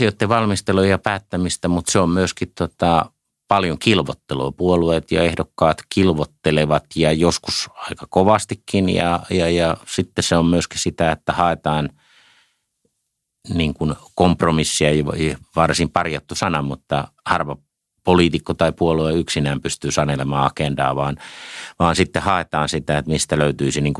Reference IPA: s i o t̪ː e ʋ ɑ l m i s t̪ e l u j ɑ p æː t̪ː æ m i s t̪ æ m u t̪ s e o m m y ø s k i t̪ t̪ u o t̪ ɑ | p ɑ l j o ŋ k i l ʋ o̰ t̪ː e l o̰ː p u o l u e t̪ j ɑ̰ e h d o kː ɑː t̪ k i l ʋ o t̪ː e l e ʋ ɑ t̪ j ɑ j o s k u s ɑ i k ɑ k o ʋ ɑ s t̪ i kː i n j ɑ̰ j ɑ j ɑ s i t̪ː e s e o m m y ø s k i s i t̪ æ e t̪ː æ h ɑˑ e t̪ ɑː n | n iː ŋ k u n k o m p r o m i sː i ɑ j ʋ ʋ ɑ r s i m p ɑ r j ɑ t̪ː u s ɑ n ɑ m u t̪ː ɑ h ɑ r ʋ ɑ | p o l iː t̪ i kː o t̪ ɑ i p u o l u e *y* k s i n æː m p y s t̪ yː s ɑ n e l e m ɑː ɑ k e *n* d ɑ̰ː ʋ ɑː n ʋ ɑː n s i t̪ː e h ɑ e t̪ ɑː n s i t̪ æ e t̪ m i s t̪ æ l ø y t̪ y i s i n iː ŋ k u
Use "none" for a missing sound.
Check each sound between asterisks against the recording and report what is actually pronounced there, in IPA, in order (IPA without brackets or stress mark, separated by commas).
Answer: y, n